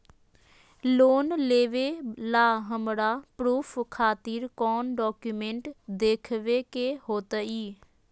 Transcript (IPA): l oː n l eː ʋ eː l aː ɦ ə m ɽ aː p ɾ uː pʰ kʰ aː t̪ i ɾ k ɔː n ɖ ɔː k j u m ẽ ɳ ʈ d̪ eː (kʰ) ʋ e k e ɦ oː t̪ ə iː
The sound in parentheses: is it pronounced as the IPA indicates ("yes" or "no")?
yes